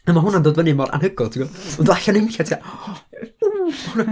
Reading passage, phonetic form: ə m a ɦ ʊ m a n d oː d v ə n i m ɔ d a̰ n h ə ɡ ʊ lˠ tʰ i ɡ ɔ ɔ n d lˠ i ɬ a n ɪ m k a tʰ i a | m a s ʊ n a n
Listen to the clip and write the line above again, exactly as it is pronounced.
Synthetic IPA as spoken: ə m a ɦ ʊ n a n d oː d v ə n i m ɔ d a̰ n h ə ɡ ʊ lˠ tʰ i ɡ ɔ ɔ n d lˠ a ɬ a n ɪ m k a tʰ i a | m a h ʊ n a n